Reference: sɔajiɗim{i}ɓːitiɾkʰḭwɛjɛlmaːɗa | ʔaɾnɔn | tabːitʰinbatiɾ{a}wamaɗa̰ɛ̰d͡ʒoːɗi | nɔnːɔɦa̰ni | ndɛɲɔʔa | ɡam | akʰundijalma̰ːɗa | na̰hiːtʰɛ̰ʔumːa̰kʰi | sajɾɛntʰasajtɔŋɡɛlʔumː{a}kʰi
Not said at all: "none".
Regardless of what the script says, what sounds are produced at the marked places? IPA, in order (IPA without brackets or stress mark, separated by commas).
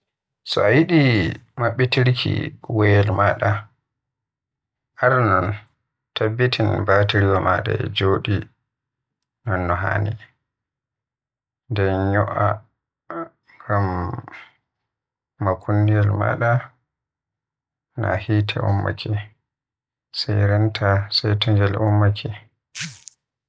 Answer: a, i, a